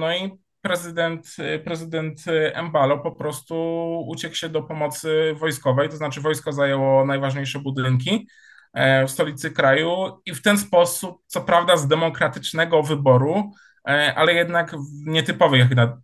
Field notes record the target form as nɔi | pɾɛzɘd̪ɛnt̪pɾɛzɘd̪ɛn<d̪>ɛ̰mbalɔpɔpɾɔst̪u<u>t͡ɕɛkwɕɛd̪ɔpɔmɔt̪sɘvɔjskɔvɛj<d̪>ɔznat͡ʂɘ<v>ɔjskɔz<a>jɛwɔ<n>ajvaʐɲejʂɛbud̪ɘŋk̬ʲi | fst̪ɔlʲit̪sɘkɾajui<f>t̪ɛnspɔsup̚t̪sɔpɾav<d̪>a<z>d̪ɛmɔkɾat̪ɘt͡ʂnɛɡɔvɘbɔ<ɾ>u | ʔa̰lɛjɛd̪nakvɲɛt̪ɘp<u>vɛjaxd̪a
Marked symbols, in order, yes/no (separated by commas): no, yes, no, yes, yes, yes, yes, yes, yes, yes, no